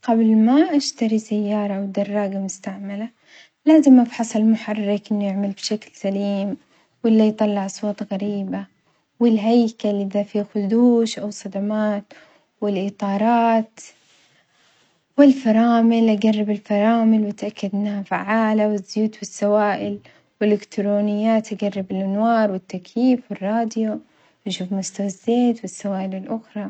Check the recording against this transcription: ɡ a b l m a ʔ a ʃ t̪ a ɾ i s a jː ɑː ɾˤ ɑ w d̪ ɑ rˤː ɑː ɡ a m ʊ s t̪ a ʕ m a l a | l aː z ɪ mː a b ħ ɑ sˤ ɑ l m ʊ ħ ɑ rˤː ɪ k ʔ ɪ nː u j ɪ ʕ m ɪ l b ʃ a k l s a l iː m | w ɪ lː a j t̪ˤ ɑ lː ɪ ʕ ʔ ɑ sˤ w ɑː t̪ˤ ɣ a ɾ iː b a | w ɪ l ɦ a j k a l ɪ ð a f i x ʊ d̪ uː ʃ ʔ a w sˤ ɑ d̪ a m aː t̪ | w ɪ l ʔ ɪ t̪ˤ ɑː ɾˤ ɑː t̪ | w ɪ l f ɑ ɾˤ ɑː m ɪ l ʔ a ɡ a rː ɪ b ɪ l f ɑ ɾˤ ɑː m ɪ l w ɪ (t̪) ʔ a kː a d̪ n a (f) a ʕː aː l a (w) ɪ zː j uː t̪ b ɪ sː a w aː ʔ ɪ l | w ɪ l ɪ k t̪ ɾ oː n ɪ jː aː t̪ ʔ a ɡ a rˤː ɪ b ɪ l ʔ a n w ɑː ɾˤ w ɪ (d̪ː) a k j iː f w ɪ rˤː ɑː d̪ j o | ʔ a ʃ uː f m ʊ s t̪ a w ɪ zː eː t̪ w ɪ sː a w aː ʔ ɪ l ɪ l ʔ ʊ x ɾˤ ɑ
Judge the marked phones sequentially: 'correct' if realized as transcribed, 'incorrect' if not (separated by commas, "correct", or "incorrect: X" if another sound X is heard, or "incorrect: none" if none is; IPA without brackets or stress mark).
correct, correct, correct, incorrect: t̪ː